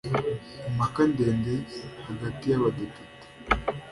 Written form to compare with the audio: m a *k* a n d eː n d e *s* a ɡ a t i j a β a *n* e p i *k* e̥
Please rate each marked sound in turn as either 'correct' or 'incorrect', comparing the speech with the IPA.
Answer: correct, incorrect, incorrect, incorrect

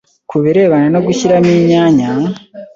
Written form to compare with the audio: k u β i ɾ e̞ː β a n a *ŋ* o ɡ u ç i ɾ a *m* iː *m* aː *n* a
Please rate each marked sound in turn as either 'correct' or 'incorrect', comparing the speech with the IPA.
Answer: incorrect, correct, incorrect, incorrect

